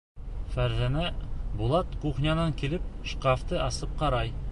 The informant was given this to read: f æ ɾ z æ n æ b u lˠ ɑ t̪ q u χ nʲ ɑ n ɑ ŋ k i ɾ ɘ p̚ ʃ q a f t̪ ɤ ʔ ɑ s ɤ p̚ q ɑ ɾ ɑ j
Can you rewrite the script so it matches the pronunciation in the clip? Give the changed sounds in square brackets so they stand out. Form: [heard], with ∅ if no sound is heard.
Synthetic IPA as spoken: f æ ɾ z æ n æ b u lˠ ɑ t̪ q u χ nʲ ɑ n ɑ ŋ k i [l] ɘ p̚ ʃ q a f t̪ ɤ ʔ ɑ s ɤ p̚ q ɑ ɾ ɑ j